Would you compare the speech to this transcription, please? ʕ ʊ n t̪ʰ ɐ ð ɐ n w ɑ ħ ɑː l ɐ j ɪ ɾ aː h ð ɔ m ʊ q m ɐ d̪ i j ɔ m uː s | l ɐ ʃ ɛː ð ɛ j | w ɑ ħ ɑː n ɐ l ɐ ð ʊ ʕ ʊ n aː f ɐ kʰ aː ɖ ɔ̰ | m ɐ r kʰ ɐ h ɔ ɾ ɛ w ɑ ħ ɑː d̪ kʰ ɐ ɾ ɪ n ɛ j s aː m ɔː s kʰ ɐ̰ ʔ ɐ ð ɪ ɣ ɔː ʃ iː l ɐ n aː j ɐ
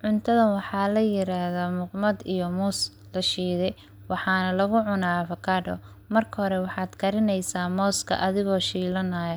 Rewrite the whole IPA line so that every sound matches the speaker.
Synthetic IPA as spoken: ʕ ʊ n t̪ʰ ɐ ð ɐ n w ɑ ħ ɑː l ɐ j ɪ ɾ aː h ð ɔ m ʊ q m ɐ d̪ i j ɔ m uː s | l ɐ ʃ iː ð ɛ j | w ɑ ħ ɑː n ɐ l ɐ ɣ ʊ ʕ ʊ n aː f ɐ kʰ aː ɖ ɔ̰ | m ɐ r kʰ ɐ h ɔ ɾ ɛ w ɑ ħ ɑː d̪ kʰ ɐ ɾ ɪ n ɛ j s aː m ɔː s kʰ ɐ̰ ʔ ɐ ð ɪ ɣ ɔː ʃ iː l ɐ n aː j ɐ